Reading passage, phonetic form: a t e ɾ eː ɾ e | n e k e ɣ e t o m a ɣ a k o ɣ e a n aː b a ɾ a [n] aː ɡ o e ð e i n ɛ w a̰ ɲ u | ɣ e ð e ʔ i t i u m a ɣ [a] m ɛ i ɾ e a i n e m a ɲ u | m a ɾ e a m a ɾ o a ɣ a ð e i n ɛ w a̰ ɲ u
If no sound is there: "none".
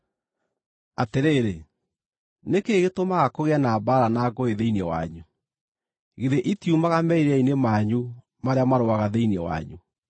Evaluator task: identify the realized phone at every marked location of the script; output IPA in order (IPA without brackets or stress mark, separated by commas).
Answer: n, a